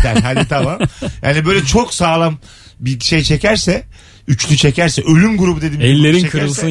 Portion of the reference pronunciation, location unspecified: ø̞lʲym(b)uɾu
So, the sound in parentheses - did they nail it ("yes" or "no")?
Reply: no